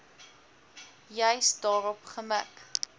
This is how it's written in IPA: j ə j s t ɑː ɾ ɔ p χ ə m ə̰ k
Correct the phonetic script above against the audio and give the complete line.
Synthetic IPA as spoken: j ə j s d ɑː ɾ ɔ p χ ə m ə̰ k